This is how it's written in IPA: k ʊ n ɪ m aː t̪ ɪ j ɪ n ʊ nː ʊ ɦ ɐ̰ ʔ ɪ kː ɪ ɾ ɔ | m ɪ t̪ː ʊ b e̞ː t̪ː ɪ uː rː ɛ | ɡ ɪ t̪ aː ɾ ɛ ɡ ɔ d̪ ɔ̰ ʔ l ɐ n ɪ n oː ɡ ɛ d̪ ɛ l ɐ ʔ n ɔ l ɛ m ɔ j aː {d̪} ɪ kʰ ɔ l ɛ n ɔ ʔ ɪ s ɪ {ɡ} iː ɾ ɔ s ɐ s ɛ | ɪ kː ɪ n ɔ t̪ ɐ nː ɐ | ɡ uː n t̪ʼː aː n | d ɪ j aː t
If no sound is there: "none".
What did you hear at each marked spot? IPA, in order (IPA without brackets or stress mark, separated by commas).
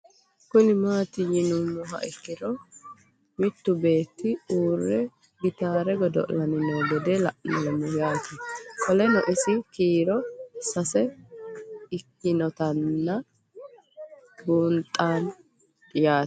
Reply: t̪, k